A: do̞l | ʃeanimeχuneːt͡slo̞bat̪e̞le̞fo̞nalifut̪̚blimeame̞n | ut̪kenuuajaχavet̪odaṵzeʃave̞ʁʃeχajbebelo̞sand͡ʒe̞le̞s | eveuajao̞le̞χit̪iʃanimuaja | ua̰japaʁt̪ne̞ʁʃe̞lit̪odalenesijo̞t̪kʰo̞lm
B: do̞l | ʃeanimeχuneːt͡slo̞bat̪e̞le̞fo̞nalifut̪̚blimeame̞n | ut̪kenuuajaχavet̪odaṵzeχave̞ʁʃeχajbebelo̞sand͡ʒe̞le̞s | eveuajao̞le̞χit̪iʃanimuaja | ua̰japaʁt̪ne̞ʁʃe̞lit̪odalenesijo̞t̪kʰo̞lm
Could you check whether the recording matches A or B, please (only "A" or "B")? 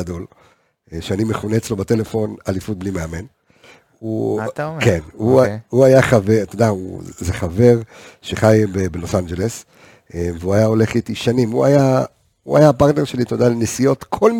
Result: B